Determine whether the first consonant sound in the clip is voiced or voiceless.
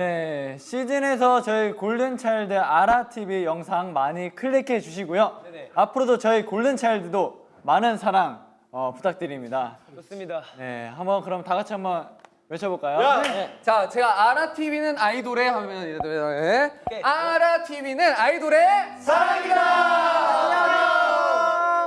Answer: voiced